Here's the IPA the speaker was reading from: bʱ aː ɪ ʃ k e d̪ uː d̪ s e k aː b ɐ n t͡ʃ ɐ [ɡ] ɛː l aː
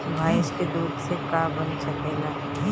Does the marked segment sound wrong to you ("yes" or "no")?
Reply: yes